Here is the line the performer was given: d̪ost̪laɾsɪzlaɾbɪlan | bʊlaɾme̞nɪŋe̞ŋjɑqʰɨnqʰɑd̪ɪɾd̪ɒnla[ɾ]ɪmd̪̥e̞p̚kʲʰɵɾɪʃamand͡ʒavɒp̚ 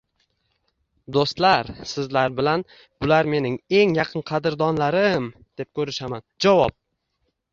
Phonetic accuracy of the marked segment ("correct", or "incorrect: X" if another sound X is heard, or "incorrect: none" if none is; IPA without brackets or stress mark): correct